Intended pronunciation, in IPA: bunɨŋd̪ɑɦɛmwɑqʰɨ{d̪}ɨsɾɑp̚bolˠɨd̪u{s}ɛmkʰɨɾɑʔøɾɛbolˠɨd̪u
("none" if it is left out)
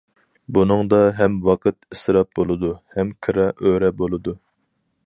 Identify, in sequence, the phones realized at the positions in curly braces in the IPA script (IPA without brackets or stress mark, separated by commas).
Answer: t̪, h